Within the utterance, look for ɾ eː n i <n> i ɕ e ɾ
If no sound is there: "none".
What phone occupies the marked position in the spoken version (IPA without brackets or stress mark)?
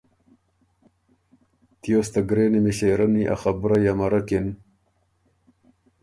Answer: m